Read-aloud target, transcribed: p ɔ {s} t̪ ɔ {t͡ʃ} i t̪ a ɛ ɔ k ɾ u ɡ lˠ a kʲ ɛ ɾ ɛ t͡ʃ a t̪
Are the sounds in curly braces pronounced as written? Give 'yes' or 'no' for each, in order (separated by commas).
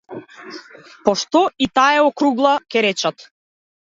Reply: no, no